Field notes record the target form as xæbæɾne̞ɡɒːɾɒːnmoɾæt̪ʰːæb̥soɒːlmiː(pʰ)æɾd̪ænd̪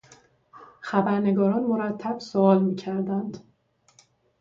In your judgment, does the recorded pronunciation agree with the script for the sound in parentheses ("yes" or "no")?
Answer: no